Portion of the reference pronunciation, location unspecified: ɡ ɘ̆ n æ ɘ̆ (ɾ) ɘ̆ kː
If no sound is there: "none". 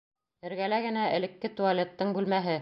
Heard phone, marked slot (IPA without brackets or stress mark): l